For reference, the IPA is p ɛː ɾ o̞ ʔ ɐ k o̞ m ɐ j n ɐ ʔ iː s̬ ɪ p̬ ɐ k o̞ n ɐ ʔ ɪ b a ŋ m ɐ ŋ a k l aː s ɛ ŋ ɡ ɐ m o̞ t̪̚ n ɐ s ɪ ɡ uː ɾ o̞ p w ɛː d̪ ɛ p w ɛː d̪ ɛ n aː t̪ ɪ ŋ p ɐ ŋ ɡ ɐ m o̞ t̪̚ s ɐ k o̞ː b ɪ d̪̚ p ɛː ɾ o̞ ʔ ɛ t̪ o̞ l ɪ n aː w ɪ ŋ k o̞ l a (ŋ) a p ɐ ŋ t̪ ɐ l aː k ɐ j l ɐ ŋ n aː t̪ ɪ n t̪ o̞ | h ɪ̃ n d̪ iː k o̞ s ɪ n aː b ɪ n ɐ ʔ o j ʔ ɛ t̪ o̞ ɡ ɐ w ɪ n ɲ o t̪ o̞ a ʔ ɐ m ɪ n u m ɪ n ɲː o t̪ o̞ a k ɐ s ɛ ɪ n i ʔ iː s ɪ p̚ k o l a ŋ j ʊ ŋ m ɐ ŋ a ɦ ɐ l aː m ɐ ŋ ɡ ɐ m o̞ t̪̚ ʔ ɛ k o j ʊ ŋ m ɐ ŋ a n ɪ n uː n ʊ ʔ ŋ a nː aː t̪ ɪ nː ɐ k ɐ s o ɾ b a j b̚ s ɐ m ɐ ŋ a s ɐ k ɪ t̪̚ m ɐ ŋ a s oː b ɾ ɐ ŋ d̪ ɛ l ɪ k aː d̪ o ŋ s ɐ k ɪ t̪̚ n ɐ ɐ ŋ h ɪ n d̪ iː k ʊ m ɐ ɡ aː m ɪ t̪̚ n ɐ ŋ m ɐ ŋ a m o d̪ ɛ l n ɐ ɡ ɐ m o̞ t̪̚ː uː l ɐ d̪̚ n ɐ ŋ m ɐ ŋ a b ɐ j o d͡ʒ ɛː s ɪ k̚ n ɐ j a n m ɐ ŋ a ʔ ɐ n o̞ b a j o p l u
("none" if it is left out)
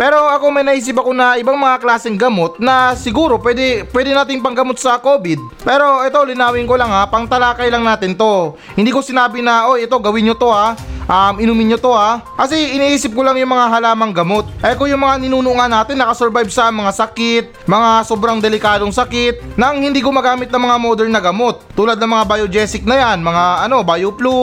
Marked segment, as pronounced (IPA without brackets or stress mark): ŋ